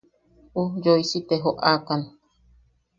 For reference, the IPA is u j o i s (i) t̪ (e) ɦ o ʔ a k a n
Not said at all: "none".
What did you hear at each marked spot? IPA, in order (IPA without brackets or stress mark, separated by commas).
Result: i, e